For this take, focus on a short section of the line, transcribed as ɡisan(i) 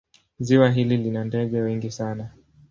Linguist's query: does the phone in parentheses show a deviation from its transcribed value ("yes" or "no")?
yes